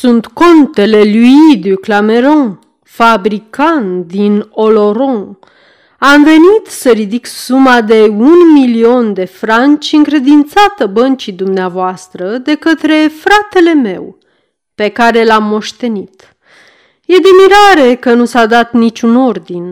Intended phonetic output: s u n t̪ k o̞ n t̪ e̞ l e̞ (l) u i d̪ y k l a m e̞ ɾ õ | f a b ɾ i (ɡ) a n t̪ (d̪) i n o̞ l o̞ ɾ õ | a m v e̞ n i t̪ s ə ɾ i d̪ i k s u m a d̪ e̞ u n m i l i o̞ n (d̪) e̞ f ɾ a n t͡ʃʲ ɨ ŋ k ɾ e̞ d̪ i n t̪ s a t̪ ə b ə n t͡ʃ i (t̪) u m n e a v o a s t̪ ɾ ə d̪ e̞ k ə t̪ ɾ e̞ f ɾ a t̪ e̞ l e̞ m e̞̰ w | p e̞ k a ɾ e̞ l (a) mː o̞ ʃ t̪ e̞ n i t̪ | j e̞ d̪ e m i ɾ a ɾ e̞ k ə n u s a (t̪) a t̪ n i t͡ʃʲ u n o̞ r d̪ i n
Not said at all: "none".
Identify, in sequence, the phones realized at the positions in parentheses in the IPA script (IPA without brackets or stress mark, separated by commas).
l, k, d̪, d̪, d̪, a, d̪